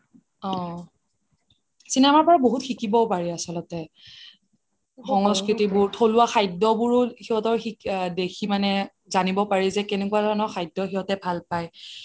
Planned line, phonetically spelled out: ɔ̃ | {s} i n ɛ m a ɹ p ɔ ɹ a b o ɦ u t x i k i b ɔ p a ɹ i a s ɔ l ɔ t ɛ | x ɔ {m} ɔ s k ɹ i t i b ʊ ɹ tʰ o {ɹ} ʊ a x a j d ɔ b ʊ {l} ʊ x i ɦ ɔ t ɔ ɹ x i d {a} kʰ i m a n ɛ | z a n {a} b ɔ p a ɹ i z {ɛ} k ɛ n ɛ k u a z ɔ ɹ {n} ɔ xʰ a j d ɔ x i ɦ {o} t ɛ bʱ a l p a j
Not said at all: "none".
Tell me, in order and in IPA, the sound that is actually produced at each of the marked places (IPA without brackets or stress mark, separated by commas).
s, ŋ, l, ɹ, e, i, ɛ, n, ɔ